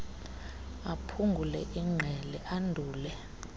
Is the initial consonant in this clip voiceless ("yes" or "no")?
yes